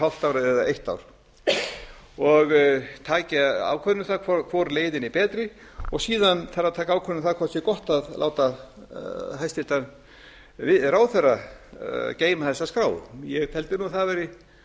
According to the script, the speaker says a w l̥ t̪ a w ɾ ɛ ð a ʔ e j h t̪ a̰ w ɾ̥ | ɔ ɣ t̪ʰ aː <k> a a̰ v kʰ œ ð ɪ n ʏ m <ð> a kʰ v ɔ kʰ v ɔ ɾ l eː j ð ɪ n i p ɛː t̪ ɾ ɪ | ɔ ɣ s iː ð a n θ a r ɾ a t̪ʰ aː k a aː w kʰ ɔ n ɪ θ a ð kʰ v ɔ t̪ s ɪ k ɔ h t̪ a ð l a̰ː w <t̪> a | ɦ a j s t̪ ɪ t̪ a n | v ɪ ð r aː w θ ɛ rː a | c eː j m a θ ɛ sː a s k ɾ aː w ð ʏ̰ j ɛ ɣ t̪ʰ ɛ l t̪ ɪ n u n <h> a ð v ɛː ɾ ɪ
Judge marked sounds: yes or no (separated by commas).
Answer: no, no, yes, no